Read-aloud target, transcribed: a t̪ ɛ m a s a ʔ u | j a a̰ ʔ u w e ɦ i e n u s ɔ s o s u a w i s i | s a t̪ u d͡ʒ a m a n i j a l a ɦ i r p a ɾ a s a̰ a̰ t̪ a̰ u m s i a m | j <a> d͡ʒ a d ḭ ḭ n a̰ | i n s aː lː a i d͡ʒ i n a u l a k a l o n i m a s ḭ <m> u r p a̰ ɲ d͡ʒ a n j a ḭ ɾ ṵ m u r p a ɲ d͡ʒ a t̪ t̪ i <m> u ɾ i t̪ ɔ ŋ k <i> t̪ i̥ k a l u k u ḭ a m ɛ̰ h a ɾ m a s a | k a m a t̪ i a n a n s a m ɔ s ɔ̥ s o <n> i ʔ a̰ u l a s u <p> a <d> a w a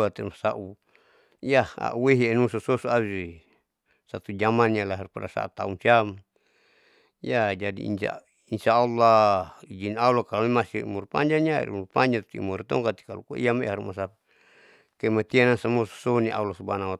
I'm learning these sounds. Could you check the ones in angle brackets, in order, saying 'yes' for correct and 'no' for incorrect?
yes, yes, yes, no, yes, no, no

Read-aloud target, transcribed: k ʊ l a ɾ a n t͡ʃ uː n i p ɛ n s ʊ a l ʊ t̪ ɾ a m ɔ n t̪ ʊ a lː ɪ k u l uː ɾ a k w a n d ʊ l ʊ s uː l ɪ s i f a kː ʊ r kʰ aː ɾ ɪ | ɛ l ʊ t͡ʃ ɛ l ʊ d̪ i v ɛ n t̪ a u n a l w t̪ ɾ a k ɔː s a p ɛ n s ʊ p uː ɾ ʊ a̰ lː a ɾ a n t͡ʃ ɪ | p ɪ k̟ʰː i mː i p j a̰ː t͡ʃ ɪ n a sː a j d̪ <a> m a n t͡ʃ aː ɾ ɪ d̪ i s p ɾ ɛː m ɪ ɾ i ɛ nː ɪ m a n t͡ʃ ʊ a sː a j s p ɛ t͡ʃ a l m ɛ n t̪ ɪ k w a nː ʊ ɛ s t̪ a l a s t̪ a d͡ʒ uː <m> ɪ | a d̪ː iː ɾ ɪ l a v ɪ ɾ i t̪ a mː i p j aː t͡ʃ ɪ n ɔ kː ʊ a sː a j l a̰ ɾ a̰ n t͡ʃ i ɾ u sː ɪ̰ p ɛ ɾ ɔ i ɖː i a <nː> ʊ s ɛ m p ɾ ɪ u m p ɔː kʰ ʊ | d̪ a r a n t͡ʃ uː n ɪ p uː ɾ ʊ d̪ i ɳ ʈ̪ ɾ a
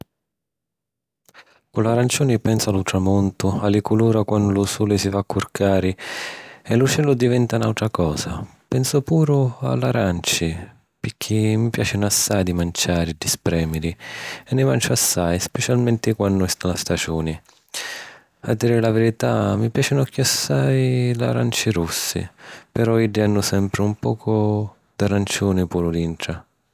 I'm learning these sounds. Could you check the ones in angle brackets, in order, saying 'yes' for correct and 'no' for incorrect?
no, no, yes

